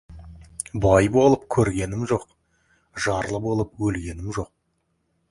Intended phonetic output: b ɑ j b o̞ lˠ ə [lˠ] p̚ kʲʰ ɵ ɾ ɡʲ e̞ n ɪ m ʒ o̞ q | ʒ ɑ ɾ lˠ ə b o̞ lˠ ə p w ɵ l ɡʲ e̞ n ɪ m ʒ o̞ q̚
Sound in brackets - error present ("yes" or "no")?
yes